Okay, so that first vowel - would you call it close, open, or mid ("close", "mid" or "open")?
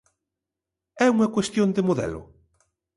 mid